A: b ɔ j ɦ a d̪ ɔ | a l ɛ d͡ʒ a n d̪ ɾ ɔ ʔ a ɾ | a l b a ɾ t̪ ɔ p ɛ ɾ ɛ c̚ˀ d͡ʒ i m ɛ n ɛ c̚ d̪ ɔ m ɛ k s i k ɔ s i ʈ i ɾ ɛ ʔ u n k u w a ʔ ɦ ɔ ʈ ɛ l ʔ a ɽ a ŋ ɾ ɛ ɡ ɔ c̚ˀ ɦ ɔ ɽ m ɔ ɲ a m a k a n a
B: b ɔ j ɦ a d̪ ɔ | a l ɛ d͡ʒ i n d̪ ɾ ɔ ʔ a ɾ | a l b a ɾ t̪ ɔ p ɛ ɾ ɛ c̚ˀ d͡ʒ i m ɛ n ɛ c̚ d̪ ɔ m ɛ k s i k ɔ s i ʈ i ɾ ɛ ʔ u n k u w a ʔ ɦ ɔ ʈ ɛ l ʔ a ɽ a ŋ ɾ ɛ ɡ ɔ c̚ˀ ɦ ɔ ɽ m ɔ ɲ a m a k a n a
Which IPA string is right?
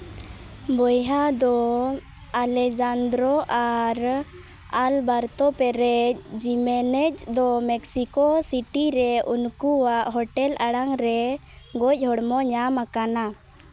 A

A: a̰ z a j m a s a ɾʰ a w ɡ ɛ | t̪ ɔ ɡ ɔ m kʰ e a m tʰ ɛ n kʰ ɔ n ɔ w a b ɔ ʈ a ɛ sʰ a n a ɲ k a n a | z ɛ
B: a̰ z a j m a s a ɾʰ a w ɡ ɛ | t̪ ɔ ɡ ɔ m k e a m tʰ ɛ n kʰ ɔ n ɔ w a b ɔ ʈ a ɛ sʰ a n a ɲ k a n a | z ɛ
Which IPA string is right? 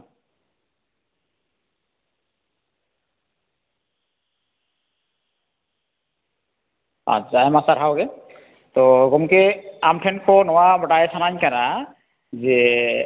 B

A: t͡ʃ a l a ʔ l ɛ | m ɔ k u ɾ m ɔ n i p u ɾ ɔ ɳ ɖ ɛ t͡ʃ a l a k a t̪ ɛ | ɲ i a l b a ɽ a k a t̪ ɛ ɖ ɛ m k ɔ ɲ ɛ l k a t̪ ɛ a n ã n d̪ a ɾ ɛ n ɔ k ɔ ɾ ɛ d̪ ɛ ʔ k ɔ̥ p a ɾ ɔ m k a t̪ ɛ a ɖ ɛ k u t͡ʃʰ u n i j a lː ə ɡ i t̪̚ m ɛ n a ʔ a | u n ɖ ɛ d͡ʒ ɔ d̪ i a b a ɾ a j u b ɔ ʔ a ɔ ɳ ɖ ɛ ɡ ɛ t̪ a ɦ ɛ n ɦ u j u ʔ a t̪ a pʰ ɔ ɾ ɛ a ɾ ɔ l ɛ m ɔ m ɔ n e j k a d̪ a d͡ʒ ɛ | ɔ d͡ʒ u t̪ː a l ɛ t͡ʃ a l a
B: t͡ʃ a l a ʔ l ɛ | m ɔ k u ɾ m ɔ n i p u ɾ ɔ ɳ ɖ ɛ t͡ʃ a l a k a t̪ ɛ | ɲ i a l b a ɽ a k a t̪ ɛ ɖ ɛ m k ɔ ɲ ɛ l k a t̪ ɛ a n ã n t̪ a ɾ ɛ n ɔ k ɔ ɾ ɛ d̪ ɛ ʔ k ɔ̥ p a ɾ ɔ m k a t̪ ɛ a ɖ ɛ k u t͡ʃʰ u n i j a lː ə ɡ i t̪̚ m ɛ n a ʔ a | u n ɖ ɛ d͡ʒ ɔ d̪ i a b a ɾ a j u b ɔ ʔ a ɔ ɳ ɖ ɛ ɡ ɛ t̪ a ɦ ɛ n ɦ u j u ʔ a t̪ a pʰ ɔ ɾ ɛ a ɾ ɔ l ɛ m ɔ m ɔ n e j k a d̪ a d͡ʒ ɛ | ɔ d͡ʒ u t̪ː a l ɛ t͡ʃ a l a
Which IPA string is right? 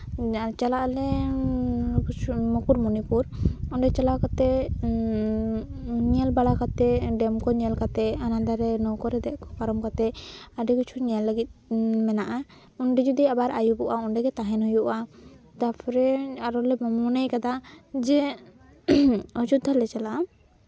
A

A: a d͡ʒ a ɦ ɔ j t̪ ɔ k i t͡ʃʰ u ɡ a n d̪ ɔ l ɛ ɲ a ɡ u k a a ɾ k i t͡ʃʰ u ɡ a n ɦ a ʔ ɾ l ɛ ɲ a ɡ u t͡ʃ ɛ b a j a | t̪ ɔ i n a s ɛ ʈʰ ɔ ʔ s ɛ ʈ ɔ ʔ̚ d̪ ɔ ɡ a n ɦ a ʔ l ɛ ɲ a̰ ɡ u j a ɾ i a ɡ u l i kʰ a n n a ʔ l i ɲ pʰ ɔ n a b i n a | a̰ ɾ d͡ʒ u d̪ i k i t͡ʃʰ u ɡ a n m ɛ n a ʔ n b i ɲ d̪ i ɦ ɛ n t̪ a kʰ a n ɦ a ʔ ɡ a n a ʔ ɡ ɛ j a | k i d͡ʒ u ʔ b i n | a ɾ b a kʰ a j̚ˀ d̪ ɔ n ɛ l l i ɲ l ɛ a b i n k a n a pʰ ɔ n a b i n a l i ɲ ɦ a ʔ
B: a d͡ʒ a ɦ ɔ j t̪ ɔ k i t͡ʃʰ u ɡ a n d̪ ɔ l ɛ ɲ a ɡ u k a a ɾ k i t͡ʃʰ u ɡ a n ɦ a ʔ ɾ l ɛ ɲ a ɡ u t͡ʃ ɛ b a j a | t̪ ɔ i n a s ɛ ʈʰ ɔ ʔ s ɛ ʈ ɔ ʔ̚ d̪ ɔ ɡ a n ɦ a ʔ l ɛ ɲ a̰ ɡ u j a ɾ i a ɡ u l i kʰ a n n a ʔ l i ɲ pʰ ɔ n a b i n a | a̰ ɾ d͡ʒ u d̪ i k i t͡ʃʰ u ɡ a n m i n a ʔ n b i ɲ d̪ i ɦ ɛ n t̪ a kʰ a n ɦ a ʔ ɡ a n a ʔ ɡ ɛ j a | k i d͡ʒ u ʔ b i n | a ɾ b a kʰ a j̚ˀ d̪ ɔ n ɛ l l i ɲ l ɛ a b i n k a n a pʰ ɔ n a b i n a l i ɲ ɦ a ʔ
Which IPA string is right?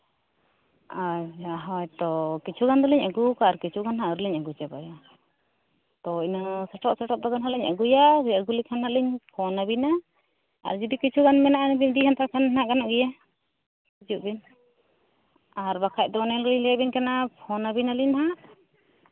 A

